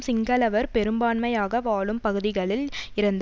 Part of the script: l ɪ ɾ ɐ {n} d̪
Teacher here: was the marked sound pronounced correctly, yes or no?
yes